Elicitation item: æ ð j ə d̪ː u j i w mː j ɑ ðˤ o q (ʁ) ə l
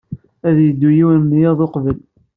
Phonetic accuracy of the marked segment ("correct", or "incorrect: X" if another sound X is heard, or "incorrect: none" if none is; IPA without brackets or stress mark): incorrect: v